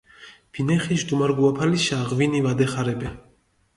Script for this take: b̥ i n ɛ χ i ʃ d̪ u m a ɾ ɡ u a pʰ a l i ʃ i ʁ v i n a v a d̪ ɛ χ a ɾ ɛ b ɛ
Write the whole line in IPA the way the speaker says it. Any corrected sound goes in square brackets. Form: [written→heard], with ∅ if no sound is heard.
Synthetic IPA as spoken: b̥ i n ɛ χ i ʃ d̪ u m a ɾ ɡ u a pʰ a l i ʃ [i→a] ʁ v i n [a→i] v a d̪ ɛ χ a ɾ ɛ b ɛ

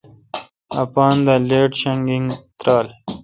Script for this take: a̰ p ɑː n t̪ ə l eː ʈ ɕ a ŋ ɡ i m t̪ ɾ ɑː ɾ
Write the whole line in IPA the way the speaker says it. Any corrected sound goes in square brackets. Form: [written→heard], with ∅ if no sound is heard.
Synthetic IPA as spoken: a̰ p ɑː n [t̪→d̪] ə l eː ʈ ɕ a ŋ ɡ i [m→ŋ] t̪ ɾ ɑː [ɾ→l]

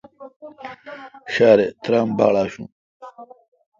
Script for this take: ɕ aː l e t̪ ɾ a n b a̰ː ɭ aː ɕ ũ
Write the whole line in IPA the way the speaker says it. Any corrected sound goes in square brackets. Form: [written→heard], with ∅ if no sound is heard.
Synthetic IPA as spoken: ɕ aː [l→ɾ] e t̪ ɾ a [n→m] b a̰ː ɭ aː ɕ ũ

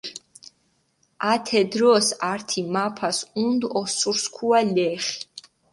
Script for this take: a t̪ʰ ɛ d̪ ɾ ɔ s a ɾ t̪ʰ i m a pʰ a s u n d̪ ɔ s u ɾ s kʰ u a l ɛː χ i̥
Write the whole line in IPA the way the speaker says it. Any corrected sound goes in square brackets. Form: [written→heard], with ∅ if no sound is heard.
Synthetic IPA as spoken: a t̪ʰ ɛ d̪ ɾ ɔ s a ɾ t̪ʰ i m a pʰ a s u n d̪ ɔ s u ɾ s kʰ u a l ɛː χ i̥

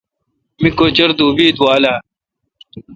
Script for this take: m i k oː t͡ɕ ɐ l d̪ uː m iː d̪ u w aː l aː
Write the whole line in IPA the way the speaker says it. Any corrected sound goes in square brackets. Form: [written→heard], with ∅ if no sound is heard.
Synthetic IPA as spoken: m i k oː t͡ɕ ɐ [l→ɾ] d̪ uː [m→b] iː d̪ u w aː l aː

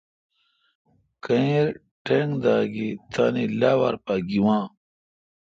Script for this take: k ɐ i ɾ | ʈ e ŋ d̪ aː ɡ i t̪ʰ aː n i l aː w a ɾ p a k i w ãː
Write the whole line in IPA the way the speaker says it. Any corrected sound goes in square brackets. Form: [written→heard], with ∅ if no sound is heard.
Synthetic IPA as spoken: k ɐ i ɾ | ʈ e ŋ d̪ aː ɡ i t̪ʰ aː n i l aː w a ɾ p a [k→ɡ] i w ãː

